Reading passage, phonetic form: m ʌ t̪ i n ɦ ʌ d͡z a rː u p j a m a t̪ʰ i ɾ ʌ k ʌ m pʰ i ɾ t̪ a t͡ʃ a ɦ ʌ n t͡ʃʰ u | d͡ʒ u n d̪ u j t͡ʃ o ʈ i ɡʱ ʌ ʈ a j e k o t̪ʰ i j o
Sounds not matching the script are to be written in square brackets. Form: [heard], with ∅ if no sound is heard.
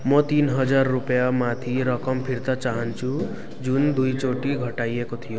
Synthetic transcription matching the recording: m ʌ t̪ i n ɦ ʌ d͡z a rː u p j a m a t̪ʰ i ɾ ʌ k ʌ m pʰ i ɾ t̪ a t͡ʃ a ɦ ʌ n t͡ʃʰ u | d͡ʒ u n d̪ u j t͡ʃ o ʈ i ɡʱ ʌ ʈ a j e k o t̪ʰ i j o